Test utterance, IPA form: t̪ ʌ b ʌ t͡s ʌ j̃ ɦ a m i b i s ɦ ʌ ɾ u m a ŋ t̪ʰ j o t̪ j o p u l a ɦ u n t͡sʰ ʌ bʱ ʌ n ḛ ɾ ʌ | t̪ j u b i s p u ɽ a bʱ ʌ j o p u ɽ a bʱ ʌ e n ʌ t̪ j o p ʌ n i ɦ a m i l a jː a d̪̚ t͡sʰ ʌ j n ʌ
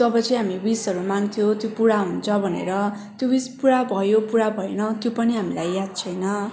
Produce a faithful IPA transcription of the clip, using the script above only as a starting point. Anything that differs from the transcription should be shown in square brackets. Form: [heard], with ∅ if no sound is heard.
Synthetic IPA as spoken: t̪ ʌ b ʌ t͡s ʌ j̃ ɦ a m i b i s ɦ ʌ ɾ u m a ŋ t̪ʰ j o t̪ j o p u [ɽ] a ɦ u n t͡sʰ ʌ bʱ ʌ n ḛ ɾ ʌ | t̪ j [o] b i s p u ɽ a bʱ ʌ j o p u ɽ a bʱ ʌ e n ʌ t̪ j o p ʌ n i ɦ a m i l a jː a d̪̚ t͡sʰ ʌ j n ʌ